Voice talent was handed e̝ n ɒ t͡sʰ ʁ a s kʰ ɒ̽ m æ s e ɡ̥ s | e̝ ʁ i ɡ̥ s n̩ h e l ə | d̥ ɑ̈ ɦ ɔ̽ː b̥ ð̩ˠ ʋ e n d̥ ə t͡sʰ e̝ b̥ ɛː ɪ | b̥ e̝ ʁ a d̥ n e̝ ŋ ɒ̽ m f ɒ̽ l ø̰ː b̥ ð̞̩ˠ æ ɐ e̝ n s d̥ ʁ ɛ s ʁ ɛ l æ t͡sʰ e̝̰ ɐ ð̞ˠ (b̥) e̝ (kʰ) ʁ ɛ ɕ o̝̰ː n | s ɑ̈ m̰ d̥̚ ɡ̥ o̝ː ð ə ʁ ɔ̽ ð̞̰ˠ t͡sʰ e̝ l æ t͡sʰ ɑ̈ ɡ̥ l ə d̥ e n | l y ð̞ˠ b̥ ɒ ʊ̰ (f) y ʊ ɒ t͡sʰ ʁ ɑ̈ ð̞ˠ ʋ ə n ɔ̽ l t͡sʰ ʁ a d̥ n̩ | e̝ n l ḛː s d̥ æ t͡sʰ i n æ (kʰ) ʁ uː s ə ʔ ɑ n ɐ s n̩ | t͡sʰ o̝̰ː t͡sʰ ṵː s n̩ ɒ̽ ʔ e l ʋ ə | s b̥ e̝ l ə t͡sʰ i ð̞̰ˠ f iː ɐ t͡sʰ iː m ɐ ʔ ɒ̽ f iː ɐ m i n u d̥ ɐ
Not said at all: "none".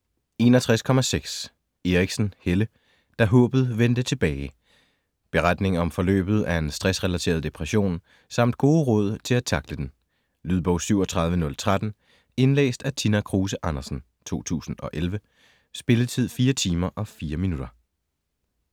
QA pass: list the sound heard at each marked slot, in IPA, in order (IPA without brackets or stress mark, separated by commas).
d̥, pʰ, s, kʰ